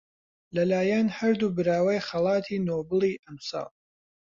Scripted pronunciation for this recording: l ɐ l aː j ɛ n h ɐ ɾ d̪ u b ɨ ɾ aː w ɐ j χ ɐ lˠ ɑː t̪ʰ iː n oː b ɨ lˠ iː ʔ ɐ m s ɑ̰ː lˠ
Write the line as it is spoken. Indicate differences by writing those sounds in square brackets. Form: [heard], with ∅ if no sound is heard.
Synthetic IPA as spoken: l ɐ l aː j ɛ n h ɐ ɾ d̪ u b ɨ ɾ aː w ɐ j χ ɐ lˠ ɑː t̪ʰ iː n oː b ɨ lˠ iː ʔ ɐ m s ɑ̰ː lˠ